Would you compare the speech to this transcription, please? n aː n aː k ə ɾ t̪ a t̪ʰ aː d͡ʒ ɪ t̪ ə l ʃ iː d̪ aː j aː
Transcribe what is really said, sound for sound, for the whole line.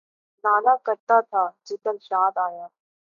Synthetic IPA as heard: n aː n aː k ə ɾ t̪ a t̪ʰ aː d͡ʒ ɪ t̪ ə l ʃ aː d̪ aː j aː